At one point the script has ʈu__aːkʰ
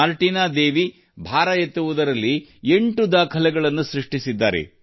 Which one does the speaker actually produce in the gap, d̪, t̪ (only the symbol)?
d̪